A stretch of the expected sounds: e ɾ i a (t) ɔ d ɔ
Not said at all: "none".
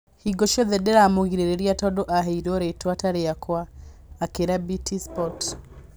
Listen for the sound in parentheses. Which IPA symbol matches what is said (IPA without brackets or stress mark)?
t